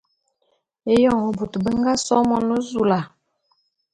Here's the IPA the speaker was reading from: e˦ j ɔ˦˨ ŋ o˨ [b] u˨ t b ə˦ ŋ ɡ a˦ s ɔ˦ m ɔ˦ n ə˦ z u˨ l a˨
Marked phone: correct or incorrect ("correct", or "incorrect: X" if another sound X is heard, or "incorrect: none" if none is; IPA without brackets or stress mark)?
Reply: correct